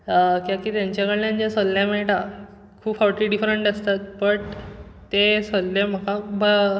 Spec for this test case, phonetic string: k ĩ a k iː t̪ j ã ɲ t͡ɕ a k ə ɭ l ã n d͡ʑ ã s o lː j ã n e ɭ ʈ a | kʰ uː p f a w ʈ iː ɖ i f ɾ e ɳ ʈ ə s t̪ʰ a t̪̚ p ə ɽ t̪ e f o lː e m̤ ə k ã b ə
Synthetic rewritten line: k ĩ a k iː t̪ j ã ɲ t͡ɕ a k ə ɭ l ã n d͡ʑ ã s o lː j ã m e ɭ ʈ a | kʰ uː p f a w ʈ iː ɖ i f ɾ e ɳ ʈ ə s t̪ a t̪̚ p ə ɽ t̪ e s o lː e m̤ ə k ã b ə